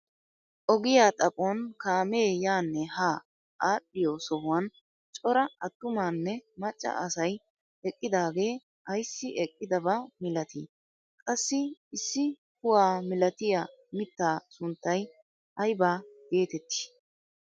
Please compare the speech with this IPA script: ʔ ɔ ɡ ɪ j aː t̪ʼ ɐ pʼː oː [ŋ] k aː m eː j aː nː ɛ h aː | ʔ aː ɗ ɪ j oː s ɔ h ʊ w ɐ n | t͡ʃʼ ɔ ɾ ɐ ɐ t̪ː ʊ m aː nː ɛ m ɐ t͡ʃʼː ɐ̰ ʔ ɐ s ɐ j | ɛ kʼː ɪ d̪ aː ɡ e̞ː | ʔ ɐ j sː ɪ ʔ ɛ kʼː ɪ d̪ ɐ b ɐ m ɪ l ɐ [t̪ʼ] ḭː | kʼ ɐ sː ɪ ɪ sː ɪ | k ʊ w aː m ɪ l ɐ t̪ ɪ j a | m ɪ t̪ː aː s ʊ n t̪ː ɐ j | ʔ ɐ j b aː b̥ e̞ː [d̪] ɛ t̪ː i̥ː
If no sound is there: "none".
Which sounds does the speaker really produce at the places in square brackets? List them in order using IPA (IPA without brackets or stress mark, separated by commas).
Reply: n, t̪, t̪